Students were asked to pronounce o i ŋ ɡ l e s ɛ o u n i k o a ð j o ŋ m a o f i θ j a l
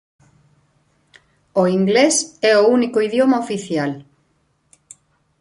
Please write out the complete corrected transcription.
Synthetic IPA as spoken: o i ŋ ɡ l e s ɛ o u n i k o i ð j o m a o f i θ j a l